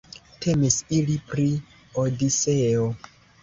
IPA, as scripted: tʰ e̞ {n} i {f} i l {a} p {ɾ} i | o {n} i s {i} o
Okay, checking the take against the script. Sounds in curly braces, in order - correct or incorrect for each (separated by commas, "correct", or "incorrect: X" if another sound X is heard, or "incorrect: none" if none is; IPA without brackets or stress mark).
incorrect: m, incorrect: s, incorrect: i, correct, incorrect: d, incorrect: e